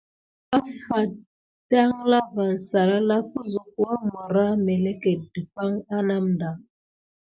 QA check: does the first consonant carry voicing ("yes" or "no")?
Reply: no